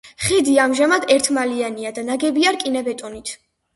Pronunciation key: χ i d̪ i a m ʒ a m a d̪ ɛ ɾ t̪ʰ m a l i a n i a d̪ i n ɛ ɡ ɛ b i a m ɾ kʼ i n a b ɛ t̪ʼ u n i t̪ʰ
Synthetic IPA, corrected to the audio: χ i d̪ i a m ʒ a m a d̪ ɛ ɾ t̪ʰ m a l i a n i a d̪ a n a ɡ ɛ b i a ɾ kʼ i n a b ɛ t̪ʼ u n i t̪ʰ

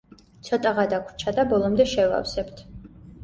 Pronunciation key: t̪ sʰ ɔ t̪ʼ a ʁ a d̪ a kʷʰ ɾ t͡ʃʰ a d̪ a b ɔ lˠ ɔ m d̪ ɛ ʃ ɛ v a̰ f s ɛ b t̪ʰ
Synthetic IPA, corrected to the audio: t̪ sʰ ɔ t̪ʼ a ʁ a d̪ a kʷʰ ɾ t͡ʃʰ a d̪ a b ɔ lˠ ɔ m d̪ ɛ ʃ ɛ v a̰ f s ɛ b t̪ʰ

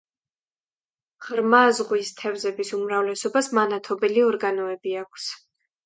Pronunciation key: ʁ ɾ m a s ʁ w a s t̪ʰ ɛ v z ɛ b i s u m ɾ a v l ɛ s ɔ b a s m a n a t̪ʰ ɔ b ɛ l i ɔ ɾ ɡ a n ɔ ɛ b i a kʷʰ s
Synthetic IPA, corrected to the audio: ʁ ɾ m a z ʁ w i s t̪ʰ ɛ v z ɛ b i s u m ɾ a v l ɛ s ɔ b a s m a n a t̪ʰ ɔ b ɛ l i ɔ ɾ ɡ a n ɔ ɛ b i a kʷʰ s

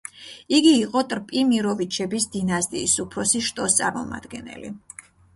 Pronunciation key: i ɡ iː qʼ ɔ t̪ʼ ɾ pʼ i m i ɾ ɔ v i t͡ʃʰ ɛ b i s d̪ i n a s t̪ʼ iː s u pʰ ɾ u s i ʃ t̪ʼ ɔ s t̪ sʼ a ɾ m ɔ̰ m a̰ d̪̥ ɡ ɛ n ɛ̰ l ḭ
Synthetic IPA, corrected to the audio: i ɡ iː qʼ ɔ t̪ʼ ɾ pʼ i m i ɾ ɔ v i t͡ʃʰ ɛ b i s d̪ i n a s t̪ʼ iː s u pʰ ɾ ɔ s i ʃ t̪ʼ ɔ s t̪ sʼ a ɾ m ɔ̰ m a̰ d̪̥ ɡ ɛ n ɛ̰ l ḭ

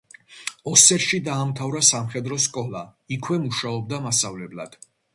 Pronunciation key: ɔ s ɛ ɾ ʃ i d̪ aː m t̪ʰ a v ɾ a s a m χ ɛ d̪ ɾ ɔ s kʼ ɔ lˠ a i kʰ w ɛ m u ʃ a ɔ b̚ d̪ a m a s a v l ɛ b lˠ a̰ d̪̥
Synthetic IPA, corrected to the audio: ɔ s ɛ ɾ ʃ i d̪ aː m t̪ʰ a v ɾ a s a m χ ɛ d̪ ɾ ɔ s kʼ ɔ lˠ a i kʰ w ɛ m u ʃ a ɔ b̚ d̪ a m a s a v l ɛ b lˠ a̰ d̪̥

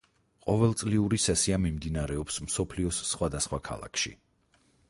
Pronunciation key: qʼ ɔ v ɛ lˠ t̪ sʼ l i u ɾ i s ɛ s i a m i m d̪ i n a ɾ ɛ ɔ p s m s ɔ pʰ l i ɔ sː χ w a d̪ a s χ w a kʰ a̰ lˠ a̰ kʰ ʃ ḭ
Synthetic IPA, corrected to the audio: qʼ ɔ v ɛ lˠ t̪ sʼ l i u ɾ i s ɛ s i a m i m d̪ i n a ɾ ɛ ɔ p s m s ɔ pʰ l i ɔ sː χ w a d̪ a s χ w a kʰ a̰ lˠ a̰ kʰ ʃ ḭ

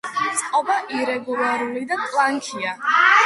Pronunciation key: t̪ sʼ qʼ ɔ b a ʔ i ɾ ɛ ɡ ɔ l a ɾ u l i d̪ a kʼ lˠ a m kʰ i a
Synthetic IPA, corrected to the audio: t̪ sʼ qʼ ɔ b a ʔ i ɾ ɛ ɡ u l a ɾ u l i d̪ a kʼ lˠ a ŋ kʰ i a

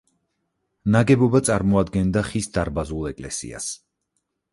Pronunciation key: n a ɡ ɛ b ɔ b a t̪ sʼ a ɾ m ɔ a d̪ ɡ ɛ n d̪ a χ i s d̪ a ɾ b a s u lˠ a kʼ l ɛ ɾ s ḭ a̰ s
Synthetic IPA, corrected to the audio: n a ɡ ɛ b ɔ b a t̪ sʼ a ɾ m ɔ a d̪ ɡ ɛ n d̪ a χ i s d̪ a ɾ b a z u lˠ ɛ kʼ l ɛ s ḭ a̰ s

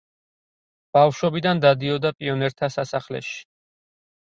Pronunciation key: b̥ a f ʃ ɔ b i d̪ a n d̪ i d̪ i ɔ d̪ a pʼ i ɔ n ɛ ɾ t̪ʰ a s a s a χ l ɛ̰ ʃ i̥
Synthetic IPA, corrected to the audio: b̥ a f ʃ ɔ b i d̪ a n d̪ a d̪ i ɔ d̪ a pʼ i ɔ n ɛ ɾ t̪ʰ a s a s a χ l ɛ̰ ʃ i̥

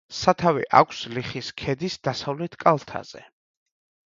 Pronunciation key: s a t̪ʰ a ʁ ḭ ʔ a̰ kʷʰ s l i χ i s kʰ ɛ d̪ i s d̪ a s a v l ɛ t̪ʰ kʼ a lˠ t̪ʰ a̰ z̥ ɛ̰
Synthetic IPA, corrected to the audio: s a t̪ʰ a v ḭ ʔ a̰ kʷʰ s l i χ i s kʰ ɛ d̪ i s d̪ a s a v l ɛ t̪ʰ kʼ a lˠ t̪ʰ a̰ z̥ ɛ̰

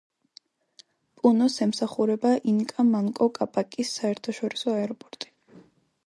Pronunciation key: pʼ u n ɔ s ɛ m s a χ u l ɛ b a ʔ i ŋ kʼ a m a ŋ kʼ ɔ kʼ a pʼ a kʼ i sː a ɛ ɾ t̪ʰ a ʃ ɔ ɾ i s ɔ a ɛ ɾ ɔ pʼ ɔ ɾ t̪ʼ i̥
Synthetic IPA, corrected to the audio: pʼ u n ɔ s ɛ m s a χ u ɾ ɛ b a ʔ i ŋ kʼ a m a ŋ kʼ ɔ kʼ a pʼ a kʼ i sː a ɛ ɾ t̪ʰ a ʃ ɔ ɾ i s ɔ a ɛ ɾ ɔ pʼ ɔ ɾ t̪ʼ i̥

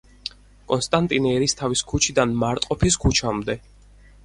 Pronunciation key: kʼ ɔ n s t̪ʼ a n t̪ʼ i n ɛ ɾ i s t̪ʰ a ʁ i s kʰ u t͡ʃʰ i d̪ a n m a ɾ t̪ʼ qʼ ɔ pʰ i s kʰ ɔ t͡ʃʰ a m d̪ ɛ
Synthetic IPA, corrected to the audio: kʼ ɔ n s t̪ʼ a n t̪ʼ i n ɛ ɾ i s t̪ʰ a v i s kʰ u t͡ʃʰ i d̪ a n m a ɾ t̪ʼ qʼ ɔ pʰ i s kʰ u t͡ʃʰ a m d̪ ɛ

